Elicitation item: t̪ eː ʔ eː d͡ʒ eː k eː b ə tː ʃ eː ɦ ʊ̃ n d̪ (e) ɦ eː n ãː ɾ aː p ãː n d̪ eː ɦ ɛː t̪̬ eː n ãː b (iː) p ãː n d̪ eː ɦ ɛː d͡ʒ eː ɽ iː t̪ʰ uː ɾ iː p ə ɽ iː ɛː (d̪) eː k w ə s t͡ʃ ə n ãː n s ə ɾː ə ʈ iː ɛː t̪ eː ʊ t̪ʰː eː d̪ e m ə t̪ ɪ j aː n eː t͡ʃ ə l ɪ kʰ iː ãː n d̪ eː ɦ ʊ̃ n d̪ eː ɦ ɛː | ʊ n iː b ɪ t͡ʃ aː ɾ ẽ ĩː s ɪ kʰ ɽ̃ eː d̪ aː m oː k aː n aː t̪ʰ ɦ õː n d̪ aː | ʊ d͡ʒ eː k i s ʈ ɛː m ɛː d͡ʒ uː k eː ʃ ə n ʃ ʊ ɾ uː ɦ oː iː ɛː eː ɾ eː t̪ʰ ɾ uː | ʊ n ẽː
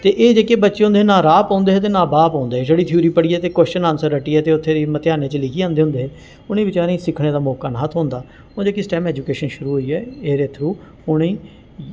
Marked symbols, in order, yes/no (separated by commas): yes, no, no